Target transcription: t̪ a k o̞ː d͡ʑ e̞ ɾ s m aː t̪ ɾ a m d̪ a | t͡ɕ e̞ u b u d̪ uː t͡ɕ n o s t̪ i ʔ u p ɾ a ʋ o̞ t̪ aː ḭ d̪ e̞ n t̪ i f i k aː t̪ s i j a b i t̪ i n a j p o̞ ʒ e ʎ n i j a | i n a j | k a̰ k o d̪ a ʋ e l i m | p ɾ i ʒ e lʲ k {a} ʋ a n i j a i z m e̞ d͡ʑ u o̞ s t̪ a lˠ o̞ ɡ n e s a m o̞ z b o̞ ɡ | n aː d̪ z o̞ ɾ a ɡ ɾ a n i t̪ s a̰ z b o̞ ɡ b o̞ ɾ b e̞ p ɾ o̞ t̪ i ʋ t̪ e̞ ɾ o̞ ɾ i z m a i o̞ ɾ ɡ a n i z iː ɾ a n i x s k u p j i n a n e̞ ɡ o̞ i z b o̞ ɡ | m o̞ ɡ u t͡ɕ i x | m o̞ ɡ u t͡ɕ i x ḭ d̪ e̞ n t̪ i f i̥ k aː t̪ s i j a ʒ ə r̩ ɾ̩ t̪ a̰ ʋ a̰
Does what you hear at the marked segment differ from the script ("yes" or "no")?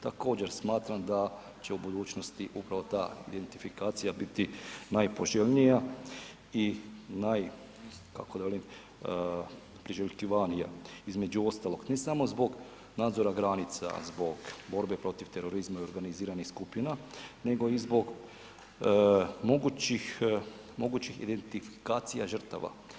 yes